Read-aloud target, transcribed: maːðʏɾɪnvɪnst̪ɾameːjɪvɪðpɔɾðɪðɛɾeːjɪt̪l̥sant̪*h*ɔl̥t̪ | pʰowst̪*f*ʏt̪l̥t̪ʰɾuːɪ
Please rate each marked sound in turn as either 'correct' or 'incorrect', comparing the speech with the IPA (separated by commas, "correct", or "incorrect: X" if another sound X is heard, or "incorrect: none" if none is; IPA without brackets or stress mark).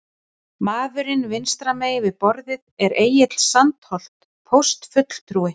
correct, correct